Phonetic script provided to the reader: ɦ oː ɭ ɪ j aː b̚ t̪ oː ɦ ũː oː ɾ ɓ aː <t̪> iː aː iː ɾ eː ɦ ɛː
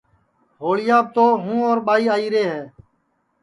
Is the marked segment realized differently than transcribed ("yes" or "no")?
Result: yes